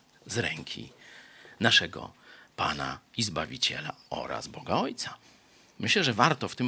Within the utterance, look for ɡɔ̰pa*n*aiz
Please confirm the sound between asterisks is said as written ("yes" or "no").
yes